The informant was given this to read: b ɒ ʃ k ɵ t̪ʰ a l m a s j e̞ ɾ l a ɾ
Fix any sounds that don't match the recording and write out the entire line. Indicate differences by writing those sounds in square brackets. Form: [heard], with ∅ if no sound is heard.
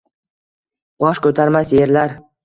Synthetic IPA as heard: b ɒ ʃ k ɵ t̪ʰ a [ɾ] m a s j e̞ ɾ l a ɾ